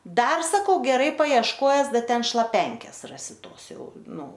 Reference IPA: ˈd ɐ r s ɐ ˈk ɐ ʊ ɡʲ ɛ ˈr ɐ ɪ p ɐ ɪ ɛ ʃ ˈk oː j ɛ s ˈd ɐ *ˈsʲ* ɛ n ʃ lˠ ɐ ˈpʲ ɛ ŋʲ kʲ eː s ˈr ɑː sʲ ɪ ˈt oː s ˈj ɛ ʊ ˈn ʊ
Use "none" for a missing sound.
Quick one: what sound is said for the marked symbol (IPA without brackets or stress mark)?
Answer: tʲ